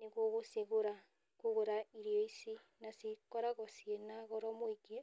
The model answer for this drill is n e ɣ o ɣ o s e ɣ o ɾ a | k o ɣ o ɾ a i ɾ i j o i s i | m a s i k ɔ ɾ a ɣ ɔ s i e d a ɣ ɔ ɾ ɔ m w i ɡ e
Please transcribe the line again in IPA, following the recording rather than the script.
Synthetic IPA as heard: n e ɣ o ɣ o s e ɣ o ɾ a | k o ɣ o ɾ a i ɾ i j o i s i | n a s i k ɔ ɾ a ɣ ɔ s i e n a ɣ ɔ ɾ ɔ m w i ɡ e